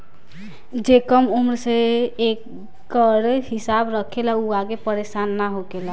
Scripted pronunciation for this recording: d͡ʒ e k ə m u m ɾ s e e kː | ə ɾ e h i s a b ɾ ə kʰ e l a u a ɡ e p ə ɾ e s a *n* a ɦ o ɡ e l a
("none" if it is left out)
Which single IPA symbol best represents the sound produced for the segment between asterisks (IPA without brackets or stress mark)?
nː